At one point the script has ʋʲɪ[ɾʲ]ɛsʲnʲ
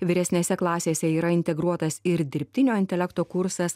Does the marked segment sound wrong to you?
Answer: no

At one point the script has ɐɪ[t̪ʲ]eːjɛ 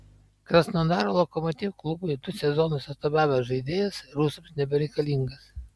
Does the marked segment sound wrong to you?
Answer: yes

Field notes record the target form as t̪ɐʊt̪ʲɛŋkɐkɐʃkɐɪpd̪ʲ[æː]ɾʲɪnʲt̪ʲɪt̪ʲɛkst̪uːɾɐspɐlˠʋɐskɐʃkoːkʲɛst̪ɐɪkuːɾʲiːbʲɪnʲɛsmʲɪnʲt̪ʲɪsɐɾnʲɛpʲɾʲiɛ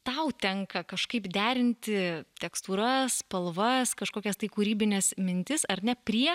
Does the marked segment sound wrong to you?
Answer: no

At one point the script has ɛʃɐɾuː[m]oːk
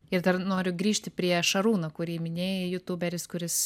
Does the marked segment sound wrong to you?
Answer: yes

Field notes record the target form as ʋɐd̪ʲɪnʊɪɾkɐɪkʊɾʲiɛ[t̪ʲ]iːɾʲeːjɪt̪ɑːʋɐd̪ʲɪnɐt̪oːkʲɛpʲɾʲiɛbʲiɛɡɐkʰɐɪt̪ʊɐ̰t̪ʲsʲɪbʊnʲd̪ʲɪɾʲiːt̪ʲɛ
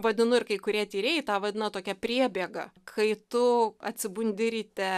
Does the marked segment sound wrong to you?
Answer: no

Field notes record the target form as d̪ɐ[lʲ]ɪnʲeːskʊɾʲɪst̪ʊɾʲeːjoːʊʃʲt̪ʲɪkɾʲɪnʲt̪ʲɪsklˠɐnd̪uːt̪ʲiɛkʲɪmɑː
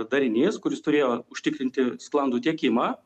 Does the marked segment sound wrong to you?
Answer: yes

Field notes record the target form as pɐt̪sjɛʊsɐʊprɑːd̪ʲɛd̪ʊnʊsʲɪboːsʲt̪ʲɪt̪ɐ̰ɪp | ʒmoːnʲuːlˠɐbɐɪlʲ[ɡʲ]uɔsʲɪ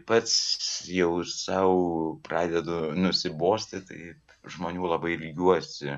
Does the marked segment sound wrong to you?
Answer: no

